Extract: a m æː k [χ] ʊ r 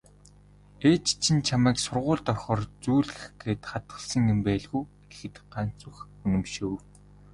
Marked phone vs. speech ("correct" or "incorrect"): incorrect